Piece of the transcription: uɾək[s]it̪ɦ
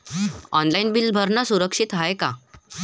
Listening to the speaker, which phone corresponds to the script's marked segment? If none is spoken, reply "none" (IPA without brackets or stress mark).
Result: ʂ